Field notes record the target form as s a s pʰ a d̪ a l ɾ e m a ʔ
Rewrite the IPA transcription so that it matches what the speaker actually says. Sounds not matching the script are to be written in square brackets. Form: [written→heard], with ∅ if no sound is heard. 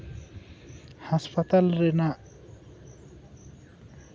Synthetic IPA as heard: [s→h] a s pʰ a [d̪→t̪] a l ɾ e [m→n] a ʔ